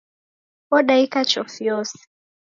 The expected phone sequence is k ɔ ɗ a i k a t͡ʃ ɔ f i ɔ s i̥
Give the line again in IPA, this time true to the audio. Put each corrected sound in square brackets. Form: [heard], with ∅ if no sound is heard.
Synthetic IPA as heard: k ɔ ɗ a i k a t͡ʃ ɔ f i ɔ s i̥